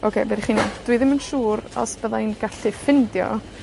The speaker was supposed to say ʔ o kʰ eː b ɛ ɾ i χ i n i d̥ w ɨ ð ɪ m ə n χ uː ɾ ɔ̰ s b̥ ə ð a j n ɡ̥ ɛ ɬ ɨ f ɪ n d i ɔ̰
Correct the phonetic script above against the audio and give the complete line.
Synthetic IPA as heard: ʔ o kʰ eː b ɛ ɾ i χ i n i d̥ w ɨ ð ɪ m ə n ʃ uː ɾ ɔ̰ s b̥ ə ð a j n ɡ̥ a ɬ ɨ f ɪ n d j ɔ̰